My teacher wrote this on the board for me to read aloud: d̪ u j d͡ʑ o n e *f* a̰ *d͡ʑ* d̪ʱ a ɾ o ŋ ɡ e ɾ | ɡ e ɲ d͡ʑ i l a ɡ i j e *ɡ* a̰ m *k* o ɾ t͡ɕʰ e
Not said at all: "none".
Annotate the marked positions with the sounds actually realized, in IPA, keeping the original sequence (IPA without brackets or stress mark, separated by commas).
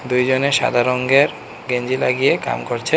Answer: ʃ, none, k, k